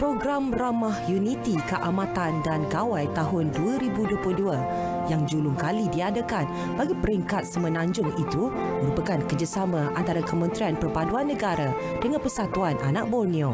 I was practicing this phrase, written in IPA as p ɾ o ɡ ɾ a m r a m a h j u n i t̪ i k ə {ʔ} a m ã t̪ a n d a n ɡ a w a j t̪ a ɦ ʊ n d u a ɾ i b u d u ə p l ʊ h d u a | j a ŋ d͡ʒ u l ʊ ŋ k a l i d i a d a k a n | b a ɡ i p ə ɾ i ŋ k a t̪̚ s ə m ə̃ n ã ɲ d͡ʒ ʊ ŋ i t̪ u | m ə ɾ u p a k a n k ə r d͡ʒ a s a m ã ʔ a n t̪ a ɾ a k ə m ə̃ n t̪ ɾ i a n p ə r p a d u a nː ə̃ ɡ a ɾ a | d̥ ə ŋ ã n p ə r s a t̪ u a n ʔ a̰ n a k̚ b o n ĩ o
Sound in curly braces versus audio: correct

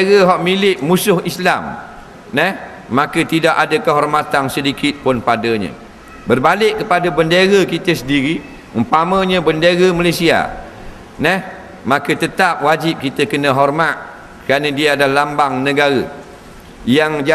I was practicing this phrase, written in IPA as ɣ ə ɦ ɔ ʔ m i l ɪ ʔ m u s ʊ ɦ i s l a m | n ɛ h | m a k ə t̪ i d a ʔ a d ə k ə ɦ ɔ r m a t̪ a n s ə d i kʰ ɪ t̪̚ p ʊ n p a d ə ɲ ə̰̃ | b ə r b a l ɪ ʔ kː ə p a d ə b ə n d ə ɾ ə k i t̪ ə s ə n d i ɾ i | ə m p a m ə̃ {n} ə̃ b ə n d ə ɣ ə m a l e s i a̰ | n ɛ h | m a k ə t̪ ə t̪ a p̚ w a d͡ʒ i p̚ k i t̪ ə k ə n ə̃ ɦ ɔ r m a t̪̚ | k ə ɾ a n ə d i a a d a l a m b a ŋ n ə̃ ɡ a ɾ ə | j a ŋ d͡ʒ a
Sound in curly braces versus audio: incorrect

